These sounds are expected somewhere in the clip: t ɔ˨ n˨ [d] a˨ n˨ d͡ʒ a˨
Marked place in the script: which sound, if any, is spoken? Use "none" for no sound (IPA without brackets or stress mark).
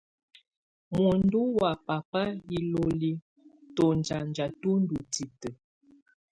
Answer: d͡ʒ